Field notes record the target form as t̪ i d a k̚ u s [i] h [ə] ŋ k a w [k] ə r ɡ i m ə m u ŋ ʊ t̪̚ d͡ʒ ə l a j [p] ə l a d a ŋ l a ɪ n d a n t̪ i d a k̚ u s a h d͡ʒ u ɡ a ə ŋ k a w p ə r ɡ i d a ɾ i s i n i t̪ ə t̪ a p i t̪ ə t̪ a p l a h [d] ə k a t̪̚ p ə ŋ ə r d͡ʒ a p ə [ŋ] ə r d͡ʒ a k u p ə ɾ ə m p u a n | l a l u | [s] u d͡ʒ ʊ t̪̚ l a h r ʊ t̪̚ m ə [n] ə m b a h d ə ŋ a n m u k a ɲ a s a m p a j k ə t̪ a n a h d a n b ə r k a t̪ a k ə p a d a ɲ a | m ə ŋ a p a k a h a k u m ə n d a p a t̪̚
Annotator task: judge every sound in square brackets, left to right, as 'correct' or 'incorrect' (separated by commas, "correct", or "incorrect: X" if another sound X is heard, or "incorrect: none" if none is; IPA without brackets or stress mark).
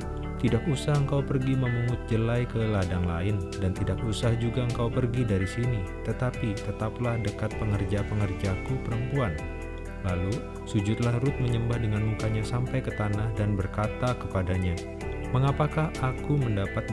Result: incorrect: a, correct, incorrect: p, incorrect: k, correct, correct, correct, incorrect: ɲ